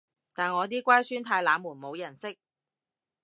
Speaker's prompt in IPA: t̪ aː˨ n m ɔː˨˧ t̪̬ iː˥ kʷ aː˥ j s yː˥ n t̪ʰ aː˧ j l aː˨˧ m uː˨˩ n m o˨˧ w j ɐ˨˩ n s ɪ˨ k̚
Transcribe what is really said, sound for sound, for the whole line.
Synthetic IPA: t̪ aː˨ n ŋ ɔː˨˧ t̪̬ iː˥ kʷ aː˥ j s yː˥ n t̪ʰ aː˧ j l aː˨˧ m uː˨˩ n m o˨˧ w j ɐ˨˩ n s ɪ˥ k̚